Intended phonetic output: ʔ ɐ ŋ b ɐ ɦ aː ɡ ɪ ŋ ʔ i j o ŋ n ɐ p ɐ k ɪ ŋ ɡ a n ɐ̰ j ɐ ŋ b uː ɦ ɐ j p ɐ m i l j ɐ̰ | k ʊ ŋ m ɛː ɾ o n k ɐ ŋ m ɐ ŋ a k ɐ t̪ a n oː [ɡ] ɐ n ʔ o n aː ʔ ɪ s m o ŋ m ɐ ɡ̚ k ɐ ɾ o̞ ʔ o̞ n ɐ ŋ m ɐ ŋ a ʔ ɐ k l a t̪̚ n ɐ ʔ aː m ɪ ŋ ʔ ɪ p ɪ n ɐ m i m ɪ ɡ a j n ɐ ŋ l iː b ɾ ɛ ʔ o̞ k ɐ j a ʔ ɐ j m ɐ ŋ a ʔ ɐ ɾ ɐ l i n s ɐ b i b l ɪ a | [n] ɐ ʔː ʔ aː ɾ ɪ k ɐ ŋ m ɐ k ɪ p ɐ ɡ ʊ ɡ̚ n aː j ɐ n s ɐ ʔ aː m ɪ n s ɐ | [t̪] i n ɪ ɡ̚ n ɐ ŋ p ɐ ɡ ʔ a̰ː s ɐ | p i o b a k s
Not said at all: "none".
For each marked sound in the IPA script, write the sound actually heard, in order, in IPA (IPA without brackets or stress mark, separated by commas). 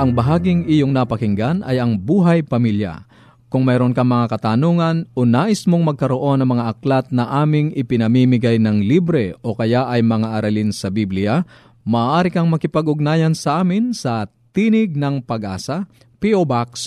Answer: ŋ, m, t̪